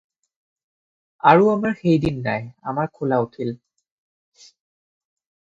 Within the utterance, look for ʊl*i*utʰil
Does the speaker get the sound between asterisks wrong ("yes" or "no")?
yes